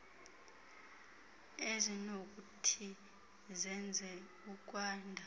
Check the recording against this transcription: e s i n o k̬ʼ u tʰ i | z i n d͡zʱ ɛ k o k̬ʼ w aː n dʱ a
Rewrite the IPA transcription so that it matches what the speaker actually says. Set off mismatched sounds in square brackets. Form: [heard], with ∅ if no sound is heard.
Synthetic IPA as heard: e [z] i n o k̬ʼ u tʰ i | z [ɛ] n d͡zʱ ɛ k [u] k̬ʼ w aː n dʱ a